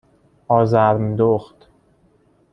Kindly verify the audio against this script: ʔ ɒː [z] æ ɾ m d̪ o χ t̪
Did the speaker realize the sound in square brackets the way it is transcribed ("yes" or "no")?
yes